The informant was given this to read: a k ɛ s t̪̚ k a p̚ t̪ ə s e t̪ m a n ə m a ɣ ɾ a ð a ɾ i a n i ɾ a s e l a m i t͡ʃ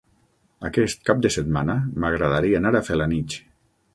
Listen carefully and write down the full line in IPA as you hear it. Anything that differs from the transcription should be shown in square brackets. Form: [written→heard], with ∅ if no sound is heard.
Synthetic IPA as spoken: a k ɛ s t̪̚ k a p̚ [t̪→d̪] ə s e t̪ m a n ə m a ɣ ɾ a ð a ɾ i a n [i→a] ɾ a [s→f] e l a [m→n] i t͡ʃ